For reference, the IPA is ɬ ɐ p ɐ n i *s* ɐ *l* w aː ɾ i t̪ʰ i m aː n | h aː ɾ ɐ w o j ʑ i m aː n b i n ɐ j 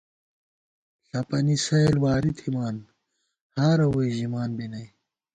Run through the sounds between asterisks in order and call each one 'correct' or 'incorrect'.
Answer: correct, correct

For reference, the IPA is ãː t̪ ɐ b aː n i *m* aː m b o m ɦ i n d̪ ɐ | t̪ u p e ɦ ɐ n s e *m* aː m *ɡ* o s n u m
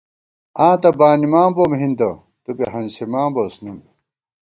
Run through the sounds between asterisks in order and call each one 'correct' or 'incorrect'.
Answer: correct, correct, incorrect

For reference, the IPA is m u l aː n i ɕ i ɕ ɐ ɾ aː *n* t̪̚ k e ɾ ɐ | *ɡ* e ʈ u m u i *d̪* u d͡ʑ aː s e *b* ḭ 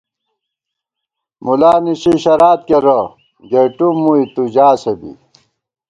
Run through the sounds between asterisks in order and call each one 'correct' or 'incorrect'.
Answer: incorrect, correct, incorrect, correct

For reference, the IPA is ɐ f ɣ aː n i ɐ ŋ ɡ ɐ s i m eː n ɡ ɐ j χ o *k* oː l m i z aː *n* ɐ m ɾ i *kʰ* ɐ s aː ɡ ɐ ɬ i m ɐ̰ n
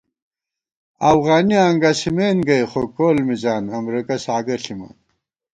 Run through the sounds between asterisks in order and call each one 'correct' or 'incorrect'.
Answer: correct, correct, incorrect

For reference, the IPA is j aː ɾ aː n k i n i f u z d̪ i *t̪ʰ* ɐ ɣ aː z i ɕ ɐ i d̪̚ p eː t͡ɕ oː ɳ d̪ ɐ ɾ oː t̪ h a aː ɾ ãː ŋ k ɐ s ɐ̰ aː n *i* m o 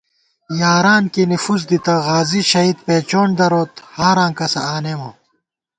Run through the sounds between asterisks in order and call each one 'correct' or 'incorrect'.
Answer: incorrect, incorrect

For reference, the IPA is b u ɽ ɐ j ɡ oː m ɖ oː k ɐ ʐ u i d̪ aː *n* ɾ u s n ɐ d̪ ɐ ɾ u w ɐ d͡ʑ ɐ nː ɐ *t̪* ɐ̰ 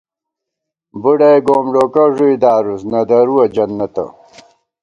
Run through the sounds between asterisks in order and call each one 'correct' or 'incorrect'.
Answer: incorrect, correct

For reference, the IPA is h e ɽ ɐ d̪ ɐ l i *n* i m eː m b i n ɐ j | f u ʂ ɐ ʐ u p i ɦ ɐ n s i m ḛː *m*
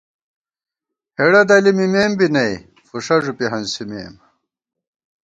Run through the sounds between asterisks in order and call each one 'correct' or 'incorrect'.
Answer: incorrect, correct

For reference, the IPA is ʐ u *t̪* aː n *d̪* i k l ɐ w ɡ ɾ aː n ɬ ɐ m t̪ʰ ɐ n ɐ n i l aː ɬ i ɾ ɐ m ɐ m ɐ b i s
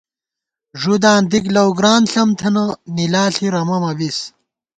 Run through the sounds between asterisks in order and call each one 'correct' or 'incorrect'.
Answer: incorrect, correct

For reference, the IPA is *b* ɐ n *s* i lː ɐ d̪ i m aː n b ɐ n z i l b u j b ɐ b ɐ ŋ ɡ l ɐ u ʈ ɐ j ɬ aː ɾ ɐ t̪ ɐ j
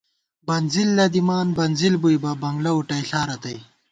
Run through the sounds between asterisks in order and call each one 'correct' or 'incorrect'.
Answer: correct, incorrect

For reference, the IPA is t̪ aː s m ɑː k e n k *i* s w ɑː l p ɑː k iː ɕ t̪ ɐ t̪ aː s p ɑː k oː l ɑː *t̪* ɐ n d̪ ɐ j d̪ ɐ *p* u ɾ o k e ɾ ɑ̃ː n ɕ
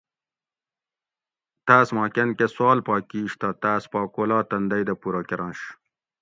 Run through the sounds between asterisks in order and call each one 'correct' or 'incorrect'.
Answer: incorrect, correct, correct

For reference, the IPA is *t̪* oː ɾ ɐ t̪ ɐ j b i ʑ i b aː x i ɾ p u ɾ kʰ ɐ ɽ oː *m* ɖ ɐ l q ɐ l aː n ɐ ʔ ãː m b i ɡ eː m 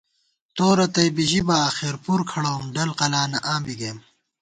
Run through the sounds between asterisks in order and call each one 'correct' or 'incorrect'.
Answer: correct, correct

